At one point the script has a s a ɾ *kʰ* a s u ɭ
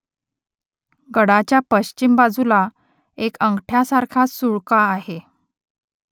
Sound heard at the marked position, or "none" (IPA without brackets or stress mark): kʰ